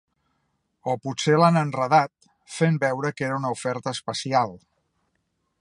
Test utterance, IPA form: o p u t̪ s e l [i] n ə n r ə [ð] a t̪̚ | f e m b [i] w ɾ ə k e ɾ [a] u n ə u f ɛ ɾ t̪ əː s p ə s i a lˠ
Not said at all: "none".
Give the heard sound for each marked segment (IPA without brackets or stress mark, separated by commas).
a, ð, ɛ, ə